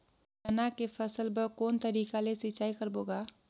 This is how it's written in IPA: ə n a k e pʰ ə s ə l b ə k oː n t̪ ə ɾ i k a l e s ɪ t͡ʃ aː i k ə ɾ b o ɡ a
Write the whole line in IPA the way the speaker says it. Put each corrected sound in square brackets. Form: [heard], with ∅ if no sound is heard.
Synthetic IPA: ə n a k e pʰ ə s ə l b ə k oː n t̪ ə ɾ i k a l e s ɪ t͡ʃ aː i k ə ɾ b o ɡ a